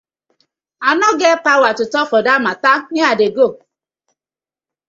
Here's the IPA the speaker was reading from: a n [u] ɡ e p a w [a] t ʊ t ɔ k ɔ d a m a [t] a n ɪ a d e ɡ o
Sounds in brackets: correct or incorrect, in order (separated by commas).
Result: incorrect, correct, correct